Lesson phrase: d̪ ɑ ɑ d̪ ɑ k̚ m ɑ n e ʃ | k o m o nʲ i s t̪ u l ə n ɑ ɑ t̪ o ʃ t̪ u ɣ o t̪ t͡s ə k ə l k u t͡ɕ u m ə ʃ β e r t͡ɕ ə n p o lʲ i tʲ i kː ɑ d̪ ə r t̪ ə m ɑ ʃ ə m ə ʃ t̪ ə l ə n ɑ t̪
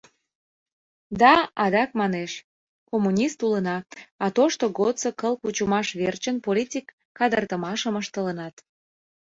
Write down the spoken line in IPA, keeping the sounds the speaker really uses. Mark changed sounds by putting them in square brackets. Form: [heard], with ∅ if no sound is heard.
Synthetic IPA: d̪ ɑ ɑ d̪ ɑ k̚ m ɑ n e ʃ | k o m [u] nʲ i s t̪ u l ə n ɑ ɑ t̪ o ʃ t̪ [o] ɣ o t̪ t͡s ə k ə l k u t͡ɕ u m [ɑ] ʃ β e r t͡ɕ ə n p o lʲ i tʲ i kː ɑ d̪ ə r t̪ ə m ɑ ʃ ə m ə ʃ t̪ ə l ə n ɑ t̪